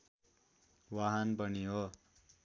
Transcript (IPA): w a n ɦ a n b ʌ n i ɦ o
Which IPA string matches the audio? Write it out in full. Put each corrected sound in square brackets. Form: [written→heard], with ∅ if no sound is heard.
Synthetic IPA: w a [n→∅] ɦ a n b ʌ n i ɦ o